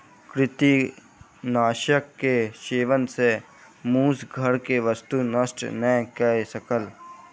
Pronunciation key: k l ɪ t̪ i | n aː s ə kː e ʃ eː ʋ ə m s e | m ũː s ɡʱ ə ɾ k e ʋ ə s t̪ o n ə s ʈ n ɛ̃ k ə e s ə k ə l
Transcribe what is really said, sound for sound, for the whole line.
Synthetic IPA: k ɾ ɪ t̪ i | n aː ʃ ə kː e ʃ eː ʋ ə n s e | m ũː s ɡʱ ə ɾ k e ʋ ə s t̪ u n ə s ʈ n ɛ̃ k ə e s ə k ə l